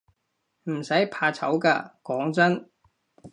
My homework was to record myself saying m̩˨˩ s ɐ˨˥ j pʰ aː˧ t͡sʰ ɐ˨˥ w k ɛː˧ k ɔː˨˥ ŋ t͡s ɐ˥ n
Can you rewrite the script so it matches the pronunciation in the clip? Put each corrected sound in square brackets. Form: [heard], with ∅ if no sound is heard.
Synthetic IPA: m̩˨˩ s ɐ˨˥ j pʰ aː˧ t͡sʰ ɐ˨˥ w k [aː˧] k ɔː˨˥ ŋ t͡s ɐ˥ n